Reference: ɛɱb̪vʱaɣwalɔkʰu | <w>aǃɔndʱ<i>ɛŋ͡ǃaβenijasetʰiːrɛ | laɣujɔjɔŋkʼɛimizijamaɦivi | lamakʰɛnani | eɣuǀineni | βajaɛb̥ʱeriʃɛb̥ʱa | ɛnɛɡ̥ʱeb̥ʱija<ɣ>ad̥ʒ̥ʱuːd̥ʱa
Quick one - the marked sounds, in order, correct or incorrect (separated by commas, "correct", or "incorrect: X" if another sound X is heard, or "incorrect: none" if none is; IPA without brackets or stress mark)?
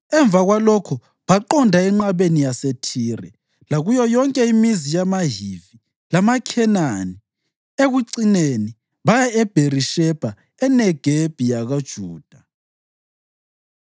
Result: incorrect: β, incorrect: a, correct